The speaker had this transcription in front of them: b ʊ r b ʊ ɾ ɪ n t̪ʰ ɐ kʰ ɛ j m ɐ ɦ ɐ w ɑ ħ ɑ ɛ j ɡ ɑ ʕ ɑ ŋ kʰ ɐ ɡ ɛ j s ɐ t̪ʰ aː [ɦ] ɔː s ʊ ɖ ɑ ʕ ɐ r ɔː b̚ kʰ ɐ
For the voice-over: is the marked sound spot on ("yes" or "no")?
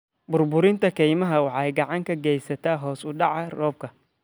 yes